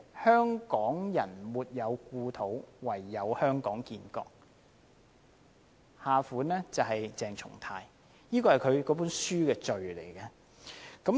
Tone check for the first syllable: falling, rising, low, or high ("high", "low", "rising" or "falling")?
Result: high